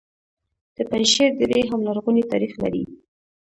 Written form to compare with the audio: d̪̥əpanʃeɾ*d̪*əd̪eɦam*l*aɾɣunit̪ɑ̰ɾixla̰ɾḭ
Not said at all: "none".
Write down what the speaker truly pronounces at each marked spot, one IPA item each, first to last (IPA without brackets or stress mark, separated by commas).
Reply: d̪, l